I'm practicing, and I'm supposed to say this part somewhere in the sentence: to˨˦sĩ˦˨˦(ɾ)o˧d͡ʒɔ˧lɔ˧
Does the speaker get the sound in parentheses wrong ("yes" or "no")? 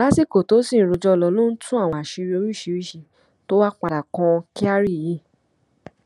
no